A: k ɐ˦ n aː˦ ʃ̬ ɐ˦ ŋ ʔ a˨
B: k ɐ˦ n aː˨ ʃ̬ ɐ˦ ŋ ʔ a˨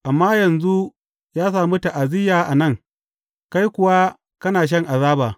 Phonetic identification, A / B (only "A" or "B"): B